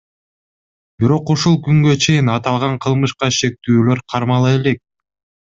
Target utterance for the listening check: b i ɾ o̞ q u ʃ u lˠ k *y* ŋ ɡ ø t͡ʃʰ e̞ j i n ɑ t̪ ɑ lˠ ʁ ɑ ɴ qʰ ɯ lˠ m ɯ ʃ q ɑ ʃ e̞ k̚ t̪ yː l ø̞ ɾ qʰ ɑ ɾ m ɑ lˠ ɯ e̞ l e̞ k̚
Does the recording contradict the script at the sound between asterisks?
no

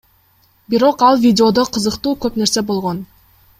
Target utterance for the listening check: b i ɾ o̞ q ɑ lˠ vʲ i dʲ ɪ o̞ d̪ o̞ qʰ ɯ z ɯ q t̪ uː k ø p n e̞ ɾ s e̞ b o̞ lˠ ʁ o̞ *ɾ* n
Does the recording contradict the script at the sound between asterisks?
yes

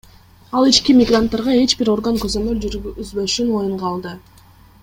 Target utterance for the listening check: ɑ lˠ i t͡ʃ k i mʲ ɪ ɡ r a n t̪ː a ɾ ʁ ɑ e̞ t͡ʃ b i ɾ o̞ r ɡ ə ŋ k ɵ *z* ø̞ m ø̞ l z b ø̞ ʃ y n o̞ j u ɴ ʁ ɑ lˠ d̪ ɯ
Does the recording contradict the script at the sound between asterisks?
no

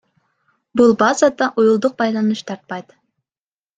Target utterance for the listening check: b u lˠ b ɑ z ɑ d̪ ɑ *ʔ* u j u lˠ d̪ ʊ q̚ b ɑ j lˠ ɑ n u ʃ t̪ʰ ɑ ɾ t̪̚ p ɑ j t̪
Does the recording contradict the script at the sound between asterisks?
no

